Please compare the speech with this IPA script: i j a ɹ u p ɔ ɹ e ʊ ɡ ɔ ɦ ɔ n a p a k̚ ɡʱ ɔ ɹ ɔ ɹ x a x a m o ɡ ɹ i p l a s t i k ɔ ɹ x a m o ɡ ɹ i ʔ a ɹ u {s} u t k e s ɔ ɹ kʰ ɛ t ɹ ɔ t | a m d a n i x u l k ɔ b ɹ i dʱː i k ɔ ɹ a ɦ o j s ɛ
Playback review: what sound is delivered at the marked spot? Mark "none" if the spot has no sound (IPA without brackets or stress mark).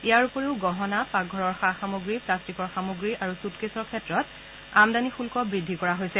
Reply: s